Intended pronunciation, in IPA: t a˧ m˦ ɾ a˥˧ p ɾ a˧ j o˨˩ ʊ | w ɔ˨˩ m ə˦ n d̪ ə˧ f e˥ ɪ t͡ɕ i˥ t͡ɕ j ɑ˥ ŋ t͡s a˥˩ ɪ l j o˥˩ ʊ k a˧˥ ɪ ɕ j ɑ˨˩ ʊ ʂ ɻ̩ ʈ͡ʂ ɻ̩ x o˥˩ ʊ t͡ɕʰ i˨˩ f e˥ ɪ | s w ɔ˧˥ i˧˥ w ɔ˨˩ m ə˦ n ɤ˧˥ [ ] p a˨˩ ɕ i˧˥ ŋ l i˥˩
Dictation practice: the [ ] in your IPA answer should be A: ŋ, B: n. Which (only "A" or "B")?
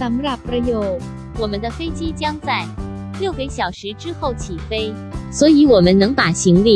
A